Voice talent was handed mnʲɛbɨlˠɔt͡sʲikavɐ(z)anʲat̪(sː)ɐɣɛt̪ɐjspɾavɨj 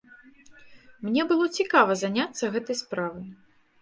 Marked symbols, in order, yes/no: yes, yes

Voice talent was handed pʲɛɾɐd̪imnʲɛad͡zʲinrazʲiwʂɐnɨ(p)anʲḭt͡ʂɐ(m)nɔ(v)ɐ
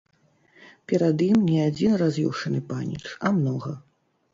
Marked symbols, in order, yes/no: yes, yes, no

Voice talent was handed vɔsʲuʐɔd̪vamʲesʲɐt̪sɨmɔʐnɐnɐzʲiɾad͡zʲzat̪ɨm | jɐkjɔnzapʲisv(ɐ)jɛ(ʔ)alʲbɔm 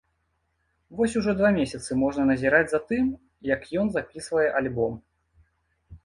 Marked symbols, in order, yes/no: yes, yes

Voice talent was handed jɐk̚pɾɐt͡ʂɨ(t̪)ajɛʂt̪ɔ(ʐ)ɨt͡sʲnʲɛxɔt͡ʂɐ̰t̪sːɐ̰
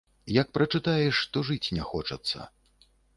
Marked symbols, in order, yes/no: yes, yes

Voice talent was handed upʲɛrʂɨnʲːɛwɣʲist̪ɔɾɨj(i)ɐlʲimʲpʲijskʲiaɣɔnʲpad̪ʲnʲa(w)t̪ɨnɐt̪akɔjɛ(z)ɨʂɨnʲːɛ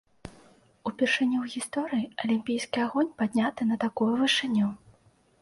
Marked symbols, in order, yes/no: yes, no, no

